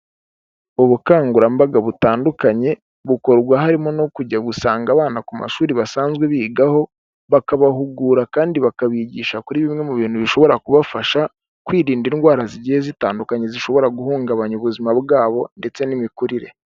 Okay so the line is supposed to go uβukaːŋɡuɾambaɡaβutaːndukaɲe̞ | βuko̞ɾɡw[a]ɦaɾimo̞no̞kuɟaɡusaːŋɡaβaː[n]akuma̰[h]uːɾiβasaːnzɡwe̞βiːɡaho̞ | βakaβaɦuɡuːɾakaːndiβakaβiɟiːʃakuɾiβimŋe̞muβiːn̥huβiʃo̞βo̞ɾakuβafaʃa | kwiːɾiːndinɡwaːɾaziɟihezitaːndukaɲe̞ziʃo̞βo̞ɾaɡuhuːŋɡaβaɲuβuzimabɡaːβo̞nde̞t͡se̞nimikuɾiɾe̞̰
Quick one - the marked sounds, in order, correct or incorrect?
correct, correct, incorrect: ʃ

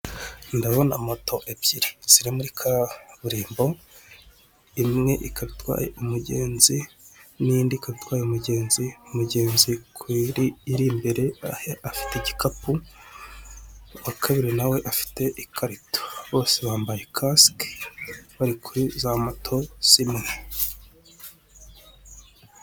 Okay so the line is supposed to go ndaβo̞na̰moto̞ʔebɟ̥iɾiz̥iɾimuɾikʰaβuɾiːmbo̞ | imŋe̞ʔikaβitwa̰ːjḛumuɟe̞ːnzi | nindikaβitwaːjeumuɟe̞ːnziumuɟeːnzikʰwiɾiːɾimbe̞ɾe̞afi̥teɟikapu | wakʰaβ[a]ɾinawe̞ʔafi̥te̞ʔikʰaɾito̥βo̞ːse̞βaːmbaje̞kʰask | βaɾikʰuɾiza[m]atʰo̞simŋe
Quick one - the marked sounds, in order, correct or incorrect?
incorrect: i, correct

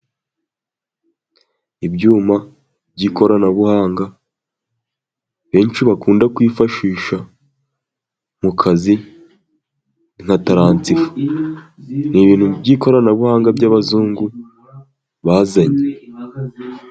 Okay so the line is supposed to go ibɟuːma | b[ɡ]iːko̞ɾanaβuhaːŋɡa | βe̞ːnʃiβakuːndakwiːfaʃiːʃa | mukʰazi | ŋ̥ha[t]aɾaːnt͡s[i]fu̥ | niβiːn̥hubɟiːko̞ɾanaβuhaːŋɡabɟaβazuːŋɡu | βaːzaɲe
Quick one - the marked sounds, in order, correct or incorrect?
incorrect: ɟ, correct, correct

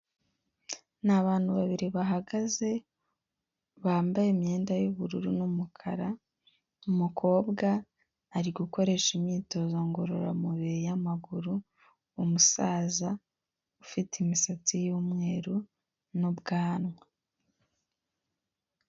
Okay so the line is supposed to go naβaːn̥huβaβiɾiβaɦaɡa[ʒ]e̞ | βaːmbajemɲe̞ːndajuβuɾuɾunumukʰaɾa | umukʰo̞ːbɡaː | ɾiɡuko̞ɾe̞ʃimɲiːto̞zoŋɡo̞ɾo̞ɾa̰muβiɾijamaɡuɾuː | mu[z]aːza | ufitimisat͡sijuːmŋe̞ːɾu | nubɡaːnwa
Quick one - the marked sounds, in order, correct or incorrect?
incorrect: z, incorrect: s

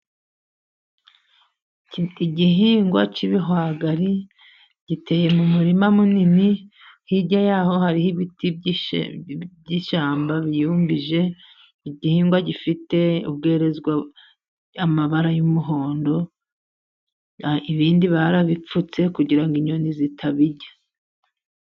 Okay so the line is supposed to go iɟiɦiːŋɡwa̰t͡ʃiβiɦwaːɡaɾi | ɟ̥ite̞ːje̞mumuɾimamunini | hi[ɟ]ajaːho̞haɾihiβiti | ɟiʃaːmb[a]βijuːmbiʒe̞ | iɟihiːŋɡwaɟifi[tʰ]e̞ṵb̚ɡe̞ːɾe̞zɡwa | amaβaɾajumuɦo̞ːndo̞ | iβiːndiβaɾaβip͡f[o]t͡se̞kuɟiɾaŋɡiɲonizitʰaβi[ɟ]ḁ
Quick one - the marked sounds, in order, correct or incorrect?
correct, correct, incorrect: t, incorrect: u, correct

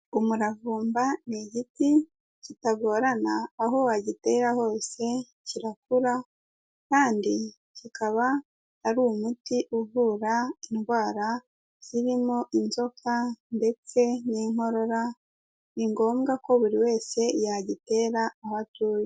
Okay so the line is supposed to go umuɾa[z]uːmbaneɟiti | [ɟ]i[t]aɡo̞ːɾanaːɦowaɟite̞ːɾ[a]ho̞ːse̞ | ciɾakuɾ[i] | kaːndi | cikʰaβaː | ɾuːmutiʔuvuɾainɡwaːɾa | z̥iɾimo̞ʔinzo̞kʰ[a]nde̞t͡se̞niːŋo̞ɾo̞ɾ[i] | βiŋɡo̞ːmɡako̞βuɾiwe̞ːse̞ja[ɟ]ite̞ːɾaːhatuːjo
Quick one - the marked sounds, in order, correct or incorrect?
incorrect: v, incorrect: c, correct, correct, incorrect: a, correct, incorrect: a, correct

